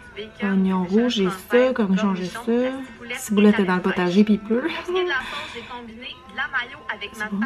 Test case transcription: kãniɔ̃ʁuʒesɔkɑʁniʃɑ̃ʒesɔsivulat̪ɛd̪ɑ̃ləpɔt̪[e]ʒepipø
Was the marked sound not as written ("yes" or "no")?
yes